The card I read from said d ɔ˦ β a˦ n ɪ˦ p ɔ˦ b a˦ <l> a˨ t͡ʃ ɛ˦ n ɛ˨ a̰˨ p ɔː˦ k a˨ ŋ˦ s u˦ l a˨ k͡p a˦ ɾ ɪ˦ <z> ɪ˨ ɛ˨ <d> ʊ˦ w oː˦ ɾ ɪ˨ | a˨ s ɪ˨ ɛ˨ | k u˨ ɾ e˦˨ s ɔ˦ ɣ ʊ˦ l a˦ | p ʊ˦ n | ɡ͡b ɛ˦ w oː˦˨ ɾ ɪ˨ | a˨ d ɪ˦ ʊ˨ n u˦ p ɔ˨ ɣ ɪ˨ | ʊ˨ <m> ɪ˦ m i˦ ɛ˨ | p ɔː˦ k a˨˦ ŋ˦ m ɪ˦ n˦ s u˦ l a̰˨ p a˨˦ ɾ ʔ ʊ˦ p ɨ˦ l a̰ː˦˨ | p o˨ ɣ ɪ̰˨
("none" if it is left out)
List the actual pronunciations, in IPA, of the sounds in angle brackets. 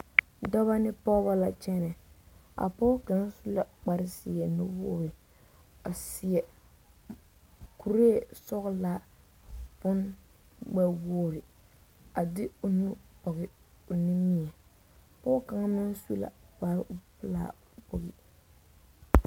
l, s, n, n

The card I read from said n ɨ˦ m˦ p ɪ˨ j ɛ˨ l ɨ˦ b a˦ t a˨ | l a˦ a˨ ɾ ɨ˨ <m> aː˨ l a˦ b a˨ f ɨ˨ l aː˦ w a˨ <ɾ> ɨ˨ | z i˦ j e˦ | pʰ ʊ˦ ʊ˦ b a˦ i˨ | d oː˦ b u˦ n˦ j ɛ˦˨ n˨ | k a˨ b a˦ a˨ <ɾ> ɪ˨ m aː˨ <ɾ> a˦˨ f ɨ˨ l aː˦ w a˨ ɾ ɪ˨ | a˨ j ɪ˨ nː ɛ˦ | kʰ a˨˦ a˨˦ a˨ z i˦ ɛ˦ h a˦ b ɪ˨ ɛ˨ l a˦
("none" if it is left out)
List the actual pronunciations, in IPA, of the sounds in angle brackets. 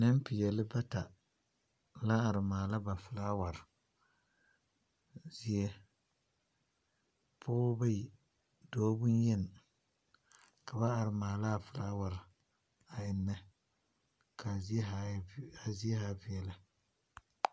m, ɾ, ɾ, l

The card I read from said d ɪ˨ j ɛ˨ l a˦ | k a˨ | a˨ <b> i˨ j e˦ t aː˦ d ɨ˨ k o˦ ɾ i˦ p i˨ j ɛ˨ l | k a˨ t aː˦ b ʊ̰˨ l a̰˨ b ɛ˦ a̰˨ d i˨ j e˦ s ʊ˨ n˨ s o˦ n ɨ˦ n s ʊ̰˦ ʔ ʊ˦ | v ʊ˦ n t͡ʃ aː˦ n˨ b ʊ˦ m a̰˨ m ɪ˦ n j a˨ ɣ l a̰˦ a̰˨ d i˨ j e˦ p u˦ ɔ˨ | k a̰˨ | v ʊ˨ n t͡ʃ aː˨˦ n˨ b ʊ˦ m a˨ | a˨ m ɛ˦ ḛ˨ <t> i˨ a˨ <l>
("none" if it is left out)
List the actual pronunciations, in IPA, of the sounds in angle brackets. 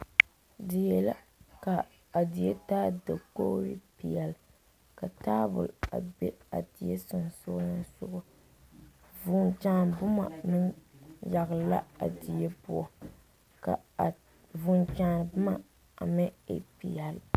d, p, l

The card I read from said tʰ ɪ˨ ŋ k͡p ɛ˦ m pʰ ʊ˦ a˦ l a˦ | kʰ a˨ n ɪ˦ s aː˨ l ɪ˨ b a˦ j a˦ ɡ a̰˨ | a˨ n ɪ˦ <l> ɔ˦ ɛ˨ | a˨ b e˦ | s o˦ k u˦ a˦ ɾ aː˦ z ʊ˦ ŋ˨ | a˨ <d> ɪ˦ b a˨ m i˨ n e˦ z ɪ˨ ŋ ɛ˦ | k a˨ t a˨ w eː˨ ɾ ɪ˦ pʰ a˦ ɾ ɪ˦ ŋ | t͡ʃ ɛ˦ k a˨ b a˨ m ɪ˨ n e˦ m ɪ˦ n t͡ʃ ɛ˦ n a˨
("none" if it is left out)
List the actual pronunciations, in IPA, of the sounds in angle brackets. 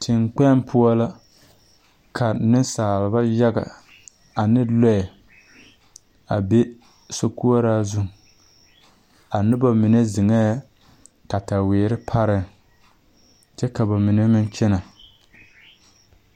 l, n

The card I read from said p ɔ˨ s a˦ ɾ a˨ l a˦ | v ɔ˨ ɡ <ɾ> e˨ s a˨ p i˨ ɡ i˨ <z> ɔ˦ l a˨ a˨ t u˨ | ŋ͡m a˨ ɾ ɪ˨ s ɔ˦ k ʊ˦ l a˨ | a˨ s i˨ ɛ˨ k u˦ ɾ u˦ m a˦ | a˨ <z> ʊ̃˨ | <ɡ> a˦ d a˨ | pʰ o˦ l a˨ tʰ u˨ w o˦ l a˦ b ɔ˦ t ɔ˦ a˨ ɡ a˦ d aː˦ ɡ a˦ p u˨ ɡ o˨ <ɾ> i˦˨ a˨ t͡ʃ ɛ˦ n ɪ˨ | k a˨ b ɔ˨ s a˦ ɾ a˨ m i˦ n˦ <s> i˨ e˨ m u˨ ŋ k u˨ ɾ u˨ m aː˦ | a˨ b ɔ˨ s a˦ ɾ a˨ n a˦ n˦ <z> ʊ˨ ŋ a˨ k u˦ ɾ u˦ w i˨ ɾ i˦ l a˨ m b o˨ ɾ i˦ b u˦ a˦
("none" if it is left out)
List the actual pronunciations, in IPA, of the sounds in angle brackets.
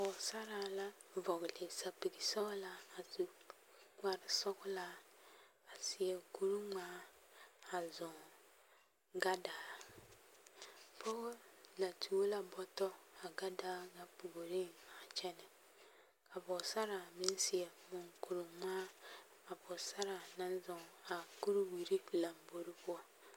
l, s, z, ɡ, ɾ, s, z

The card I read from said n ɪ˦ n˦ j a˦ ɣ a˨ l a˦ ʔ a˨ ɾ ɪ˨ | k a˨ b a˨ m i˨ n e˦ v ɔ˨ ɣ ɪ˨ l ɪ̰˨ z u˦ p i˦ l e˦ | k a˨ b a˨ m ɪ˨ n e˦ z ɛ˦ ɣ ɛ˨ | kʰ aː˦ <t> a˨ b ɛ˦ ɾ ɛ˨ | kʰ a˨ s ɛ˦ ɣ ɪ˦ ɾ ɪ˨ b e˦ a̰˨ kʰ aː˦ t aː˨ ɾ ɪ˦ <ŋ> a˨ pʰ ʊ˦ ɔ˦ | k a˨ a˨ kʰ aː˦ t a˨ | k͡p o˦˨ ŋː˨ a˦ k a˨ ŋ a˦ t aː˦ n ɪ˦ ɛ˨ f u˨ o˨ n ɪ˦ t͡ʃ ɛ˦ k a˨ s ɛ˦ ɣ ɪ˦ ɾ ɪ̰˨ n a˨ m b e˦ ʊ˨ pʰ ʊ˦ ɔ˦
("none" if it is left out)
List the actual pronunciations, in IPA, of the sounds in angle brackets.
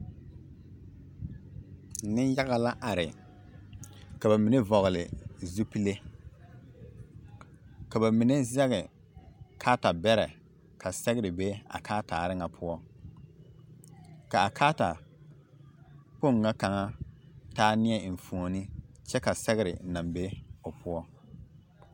t, ŋ

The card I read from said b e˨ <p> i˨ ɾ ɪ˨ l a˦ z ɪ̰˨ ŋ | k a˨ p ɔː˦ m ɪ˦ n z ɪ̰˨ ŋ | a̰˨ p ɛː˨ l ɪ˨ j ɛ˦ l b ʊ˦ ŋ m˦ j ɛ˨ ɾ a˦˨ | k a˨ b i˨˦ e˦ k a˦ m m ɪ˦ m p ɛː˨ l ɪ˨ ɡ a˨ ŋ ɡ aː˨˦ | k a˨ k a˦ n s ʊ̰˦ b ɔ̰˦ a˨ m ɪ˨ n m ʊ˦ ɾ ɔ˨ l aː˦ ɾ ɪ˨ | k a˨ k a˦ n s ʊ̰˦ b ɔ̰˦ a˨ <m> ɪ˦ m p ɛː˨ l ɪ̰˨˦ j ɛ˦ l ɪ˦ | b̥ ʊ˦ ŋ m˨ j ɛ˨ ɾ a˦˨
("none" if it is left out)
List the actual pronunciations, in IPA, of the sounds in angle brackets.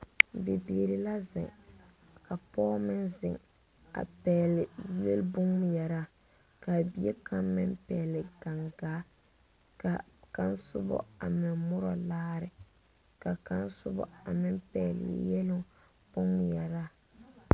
b, m

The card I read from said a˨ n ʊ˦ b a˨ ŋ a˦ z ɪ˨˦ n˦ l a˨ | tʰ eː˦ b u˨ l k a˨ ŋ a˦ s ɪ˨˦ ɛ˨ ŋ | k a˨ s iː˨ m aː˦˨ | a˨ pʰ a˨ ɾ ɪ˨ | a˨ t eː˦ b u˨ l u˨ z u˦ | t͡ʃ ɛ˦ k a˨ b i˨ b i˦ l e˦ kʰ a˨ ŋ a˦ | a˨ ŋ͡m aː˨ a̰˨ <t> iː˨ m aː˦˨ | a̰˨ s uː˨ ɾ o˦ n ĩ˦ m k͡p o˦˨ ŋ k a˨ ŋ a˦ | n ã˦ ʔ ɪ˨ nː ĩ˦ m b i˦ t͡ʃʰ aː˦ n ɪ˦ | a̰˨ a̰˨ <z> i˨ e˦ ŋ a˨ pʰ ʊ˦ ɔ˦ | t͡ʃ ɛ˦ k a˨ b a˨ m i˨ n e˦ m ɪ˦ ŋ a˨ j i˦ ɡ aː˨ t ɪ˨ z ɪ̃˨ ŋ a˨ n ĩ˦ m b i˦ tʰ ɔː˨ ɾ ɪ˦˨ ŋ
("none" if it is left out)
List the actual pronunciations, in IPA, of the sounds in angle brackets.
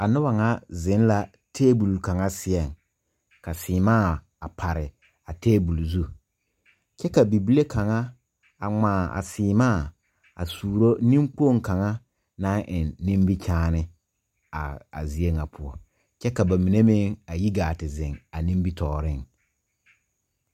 s, z

